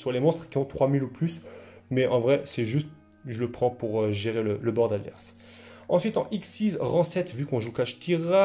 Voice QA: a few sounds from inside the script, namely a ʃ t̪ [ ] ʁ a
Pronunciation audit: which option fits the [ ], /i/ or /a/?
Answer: i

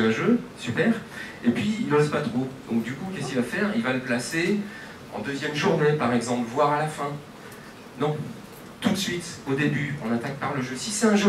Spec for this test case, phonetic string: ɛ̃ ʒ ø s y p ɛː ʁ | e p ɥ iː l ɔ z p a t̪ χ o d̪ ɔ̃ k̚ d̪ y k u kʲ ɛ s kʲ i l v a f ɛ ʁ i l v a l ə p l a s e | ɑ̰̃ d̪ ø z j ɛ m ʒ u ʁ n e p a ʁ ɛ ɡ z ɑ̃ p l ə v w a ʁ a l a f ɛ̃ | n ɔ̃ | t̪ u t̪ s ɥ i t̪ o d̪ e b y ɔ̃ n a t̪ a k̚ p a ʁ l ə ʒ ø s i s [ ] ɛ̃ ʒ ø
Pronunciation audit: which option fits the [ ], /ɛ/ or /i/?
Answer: ɛ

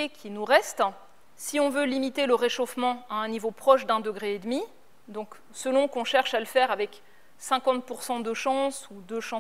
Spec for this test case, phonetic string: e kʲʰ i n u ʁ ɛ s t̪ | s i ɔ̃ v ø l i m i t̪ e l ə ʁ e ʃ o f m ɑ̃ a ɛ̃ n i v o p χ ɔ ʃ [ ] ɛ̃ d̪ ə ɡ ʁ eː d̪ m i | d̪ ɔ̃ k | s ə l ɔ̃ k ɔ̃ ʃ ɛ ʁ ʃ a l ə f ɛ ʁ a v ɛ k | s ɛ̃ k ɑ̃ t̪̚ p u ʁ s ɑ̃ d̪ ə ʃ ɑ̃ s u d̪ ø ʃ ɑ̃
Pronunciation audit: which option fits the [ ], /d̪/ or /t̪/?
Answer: d̪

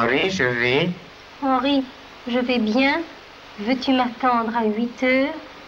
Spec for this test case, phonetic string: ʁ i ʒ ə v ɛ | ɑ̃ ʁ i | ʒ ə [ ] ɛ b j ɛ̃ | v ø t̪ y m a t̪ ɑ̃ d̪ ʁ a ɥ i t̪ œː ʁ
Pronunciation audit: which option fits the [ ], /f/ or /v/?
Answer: v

